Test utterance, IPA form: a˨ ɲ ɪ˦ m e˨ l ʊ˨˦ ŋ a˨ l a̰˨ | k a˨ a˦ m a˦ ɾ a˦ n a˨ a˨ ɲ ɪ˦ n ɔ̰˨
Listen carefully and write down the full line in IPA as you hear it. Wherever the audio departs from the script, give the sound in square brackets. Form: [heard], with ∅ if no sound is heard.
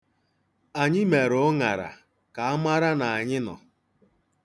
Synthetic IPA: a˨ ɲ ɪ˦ m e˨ [ɾ] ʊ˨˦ ŋ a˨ [ɾ] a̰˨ | k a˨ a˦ m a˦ ɾ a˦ n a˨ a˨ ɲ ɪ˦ n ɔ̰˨